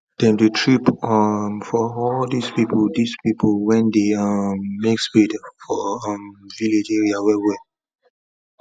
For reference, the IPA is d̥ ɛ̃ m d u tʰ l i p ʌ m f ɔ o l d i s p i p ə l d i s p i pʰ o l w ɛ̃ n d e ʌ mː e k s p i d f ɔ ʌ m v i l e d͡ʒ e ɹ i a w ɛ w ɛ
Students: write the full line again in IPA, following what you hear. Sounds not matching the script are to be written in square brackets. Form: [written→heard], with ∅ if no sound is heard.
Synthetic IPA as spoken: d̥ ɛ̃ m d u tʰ [l→ɹ] i p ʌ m f ɔ [o→ɔ] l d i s p i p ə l d i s p i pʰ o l w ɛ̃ n d e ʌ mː e k s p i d f ɔ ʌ m v i l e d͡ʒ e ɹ i a w ɛ w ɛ